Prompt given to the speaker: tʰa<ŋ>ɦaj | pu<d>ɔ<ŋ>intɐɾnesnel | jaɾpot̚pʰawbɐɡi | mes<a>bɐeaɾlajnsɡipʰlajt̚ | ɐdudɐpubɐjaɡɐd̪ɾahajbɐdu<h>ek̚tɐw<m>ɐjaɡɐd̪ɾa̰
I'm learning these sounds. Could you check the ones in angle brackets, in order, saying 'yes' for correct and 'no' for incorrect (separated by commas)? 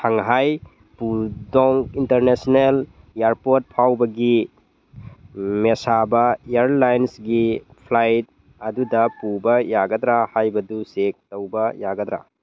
yes, yes, yes, yes, no, no